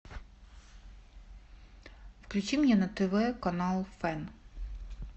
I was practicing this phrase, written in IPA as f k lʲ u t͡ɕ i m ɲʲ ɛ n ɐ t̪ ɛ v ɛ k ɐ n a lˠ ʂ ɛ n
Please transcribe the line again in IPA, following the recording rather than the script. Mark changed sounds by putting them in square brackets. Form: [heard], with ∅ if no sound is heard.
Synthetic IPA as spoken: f k lʲ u t͡ɕ i m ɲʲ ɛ n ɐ t̪ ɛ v ɛ k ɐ n a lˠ [f] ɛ n